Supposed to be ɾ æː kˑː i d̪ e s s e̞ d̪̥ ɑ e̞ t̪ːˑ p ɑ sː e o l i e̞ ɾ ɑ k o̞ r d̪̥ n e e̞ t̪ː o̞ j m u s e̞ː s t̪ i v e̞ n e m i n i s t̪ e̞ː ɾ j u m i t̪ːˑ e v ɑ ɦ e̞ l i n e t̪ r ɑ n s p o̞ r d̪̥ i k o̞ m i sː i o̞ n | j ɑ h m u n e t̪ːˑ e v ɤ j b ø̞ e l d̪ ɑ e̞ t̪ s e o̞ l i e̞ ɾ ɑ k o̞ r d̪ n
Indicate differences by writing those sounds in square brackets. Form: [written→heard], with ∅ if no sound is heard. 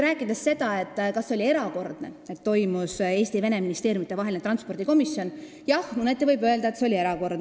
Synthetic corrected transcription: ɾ æː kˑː i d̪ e s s e̞ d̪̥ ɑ e̞ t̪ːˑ [p→k] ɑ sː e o l i e̞ ɾ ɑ k o̞ r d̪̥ n e e̞ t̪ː o̞ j m u s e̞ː s t̪ i v e̞ n e m i n i s t̪ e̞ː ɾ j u m i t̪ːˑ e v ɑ ɦ e̞ l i n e t̪ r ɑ n s p o̞ r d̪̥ i k o̞ m i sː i o̞ n | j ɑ h m u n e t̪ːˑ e v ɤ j b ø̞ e l d̪ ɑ e̞ t̪ s e o̞ l i e̞ ɾ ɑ k o̞ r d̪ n